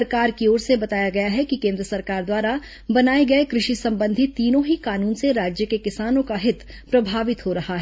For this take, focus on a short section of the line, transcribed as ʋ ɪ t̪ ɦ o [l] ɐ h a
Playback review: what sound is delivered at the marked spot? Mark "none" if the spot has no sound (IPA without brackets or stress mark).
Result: ɾ